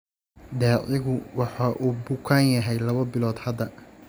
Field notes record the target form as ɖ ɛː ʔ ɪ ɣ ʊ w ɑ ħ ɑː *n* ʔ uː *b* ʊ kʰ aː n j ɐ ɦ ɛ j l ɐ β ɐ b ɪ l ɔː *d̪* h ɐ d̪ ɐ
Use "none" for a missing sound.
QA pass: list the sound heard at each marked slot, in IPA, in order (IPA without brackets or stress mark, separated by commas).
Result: none, b, d̪